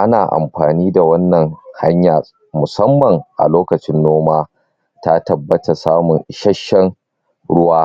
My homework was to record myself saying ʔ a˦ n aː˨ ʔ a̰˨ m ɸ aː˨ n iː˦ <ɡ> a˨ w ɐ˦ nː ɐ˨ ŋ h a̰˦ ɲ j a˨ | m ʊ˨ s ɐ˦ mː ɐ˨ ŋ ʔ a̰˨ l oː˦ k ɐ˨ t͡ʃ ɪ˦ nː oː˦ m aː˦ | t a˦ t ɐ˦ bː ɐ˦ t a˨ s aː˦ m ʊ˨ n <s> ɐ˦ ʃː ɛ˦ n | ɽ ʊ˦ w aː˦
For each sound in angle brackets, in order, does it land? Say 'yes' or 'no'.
no, no

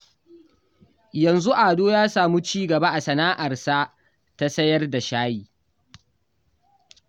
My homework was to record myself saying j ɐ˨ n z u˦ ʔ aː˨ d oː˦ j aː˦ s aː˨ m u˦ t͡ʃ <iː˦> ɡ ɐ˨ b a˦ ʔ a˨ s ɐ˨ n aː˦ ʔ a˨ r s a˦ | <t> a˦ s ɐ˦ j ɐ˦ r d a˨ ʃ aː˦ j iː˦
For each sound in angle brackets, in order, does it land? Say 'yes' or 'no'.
yes, yes

